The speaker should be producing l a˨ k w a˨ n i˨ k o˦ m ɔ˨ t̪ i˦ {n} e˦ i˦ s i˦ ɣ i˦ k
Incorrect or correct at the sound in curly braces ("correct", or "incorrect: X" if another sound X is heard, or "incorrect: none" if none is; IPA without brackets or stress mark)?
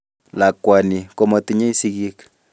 incorrect: ɲ